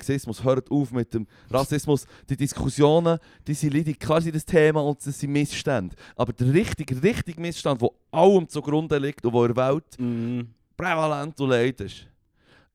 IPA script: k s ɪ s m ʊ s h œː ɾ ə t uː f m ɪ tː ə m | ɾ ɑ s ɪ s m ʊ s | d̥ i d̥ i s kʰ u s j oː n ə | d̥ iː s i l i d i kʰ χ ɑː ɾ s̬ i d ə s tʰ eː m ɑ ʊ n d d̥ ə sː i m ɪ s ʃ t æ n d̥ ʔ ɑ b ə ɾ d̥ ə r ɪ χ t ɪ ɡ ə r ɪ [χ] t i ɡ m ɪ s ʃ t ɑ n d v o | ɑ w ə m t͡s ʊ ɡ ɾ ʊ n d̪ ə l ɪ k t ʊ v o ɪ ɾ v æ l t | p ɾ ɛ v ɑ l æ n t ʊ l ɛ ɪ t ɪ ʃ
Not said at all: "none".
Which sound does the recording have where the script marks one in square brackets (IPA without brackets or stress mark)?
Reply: χ